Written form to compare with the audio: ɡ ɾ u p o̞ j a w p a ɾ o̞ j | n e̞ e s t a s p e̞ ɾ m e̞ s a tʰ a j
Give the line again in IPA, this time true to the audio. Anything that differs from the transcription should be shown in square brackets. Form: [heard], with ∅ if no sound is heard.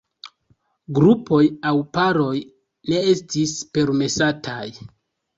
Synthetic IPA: ɡ ɾ u p o̞ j a w p a ɾ o̞ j | n e̞ e s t [i] s p e̞ ɾ m e̞ s a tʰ a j